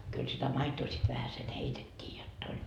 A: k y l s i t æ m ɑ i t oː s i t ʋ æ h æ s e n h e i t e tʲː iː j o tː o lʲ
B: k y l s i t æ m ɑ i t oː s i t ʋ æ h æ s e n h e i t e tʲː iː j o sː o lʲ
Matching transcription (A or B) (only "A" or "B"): A